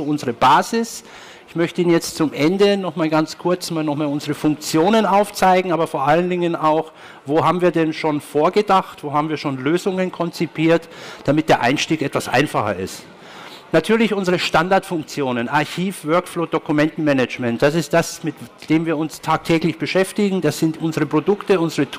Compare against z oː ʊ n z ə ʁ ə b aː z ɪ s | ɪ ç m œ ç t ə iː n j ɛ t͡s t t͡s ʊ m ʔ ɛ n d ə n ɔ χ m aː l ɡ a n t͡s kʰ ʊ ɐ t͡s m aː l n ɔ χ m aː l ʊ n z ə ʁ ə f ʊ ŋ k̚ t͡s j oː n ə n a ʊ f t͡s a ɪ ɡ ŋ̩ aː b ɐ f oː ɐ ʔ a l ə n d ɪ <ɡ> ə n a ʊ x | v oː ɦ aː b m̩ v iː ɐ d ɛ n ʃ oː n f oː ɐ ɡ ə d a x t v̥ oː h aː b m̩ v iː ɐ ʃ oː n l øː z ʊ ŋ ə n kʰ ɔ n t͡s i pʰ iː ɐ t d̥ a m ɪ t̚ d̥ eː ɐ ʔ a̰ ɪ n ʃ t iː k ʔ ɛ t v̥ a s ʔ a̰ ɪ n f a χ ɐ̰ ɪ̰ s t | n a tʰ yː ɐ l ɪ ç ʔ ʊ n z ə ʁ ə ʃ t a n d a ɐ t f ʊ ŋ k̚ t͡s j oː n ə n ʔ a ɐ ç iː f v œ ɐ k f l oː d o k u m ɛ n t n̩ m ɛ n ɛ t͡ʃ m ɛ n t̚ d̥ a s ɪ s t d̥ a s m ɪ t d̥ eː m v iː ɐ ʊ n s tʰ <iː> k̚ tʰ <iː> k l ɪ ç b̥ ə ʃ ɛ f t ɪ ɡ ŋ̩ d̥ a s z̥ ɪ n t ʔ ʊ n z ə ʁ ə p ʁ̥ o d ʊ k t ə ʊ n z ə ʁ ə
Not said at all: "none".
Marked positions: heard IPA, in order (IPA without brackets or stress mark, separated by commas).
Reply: ŋ, aː, ɛː